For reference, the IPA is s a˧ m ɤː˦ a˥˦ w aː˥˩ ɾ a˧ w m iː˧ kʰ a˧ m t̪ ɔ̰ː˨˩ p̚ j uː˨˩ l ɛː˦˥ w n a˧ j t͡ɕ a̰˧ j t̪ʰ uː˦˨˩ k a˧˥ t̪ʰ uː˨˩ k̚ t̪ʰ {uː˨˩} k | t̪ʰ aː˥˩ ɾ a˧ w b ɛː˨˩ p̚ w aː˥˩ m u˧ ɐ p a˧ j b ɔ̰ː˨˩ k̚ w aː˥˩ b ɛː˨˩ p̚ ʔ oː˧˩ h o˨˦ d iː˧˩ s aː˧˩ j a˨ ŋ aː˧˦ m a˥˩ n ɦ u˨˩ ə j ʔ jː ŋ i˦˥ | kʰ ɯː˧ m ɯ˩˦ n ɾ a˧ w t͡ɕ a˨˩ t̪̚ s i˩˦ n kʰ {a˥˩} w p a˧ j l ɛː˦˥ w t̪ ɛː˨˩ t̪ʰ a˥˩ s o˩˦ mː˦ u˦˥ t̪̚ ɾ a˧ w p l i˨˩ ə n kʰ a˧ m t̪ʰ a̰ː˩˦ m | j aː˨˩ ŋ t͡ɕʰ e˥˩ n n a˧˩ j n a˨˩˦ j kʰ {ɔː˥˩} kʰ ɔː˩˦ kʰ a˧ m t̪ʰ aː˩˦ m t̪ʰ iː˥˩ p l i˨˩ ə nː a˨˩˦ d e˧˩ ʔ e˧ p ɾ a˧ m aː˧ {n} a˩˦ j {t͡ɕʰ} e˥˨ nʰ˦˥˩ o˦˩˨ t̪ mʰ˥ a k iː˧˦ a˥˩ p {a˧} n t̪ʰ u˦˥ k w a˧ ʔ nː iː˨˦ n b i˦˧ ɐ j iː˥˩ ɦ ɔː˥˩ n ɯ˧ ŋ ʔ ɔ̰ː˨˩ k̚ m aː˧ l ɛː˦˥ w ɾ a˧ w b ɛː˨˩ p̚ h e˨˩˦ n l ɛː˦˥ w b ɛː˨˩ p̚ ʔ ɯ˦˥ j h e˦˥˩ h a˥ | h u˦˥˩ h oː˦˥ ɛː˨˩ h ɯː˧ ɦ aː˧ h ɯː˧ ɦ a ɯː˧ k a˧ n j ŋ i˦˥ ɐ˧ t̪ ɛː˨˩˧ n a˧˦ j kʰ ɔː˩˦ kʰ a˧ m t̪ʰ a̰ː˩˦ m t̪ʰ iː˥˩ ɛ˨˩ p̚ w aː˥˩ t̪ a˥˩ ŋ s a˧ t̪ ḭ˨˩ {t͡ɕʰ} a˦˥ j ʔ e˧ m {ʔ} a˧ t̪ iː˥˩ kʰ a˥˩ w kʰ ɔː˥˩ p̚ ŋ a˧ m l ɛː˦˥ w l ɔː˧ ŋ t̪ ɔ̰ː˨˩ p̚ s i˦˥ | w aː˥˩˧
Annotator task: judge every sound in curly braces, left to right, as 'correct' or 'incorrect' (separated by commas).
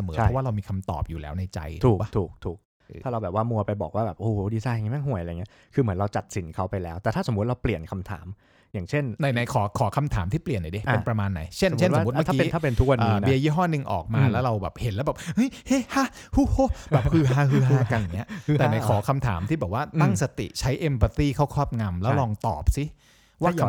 correct, incorrect, incorrect, incorrect, correct, incorrect, correct, incorrect